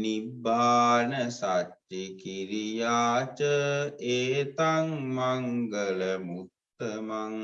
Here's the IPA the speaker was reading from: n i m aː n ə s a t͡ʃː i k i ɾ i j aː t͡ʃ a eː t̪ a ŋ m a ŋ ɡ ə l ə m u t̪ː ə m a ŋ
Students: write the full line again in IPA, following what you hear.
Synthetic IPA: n i b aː n ə s a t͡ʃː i k i ɾ i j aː t͡ʃ ə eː t̪ a ŋ m a ŋ ɡ ə l ə m u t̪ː ə m a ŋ